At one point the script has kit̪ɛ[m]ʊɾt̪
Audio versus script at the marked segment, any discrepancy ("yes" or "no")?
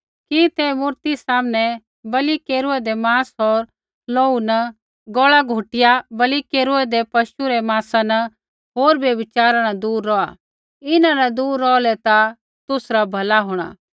no